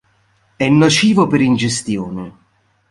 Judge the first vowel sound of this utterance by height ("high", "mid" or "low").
mid